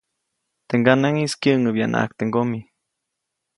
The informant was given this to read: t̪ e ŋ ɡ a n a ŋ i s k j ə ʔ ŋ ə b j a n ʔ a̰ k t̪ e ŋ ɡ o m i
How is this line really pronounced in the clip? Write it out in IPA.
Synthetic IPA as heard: t̪ e ŋ ɡ a n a ŋ i s k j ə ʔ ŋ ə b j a n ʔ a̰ k t̪ e ŋ ɡ o m i